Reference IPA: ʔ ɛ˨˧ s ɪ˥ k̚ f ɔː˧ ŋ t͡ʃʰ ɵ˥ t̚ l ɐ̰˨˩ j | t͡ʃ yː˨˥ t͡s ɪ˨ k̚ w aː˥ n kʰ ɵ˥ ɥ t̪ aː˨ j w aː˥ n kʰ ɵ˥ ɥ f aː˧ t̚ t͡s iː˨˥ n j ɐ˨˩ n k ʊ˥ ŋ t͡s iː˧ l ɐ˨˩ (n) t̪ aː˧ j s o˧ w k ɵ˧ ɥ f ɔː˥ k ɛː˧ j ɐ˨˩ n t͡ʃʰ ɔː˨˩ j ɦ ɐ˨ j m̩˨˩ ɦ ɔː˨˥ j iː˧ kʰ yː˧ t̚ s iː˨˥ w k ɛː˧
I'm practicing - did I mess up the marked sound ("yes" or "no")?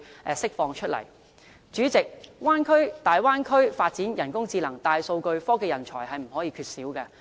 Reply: yes